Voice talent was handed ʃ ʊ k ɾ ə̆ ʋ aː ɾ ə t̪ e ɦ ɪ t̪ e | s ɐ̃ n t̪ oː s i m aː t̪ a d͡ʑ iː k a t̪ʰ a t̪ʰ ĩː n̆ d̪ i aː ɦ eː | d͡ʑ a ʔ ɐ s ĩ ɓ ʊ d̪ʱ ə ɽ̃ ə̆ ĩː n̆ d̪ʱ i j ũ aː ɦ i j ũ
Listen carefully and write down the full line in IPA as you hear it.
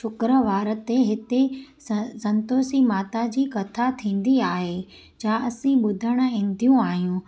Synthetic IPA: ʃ ʊ k ɾ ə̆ ʋ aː ɾ ə t̪ e ɦ ɪ t̪ e | s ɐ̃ n t̪ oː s i m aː t̪ a d͡ʑ iː k ɐ t̪ʰ a t̪ʰ ĩː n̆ d̪ i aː ɦ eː | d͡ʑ a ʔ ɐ s ĩ ɓ ʊ d̪ʱ ə ɽ̃ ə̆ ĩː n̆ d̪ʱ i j ũ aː ɦ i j ũ